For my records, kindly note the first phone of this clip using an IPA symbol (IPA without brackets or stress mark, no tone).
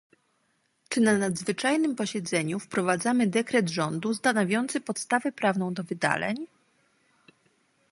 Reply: t͡ʂ